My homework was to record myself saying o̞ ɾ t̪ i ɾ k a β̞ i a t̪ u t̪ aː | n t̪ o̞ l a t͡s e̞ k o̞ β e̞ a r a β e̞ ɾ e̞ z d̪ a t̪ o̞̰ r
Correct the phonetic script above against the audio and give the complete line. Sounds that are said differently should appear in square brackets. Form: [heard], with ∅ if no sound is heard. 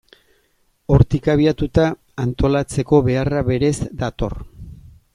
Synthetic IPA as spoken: o̞ ɾ t̪ i [∅] k a β̞ i a t̪ u t̪ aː | n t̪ o̞ l a t͡s e̞ k o̞ β e̞ a r a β e̞ ɾ e̞ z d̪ a t̪ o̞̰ r